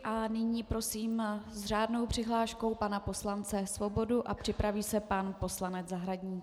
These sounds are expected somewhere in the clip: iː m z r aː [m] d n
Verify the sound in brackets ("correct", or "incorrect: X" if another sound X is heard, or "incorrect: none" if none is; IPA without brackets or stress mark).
incorrect: none